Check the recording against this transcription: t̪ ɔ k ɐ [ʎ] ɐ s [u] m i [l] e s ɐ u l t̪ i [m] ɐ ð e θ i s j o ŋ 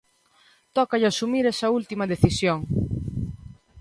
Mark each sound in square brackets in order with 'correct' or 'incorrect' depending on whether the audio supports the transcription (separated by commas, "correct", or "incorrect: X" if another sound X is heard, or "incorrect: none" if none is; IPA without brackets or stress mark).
correct, correct, incorrect: ɾ, correct